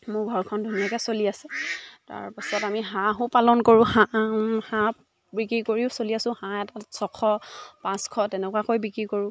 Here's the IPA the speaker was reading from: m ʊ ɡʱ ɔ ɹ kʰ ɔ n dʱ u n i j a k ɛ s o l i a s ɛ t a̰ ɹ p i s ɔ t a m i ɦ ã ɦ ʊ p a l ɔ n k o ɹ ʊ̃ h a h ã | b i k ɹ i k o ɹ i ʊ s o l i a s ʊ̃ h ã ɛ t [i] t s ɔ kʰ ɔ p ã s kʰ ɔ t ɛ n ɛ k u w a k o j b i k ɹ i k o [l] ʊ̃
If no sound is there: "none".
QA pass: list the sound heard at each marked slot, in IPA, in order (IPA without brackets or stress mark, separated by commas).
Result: a, ɹ